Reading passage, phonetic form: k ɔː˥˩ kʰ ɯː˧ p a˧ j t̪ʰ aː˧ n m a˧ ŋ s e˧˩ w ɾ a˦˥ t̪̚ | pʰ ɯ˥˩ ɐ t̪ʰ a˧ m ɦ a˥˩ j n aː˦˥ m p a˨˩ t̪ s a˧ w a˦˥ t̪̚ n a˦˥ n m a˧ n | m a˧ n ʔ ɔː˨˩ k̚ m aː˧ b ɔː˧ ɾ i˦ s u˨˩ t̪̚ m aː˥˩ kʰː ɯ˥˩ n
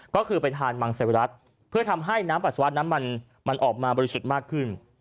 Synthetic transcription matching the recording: k ɔː˥˩ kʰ ɯː˧ p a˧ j t̪ʰ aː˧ n m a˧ ŋ s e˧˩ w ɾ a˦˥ t̪̚ | pʰ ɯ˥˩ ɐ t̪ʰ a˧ m ɦ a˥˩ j n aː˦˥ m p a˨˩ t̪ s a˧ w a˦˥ t̪̚ n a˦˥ n m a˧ n | m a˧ n ʔ ɔː˨˩ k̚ m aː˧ b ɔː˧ ɾ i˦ s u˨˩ t̪̚ m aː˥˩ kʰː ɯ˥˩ n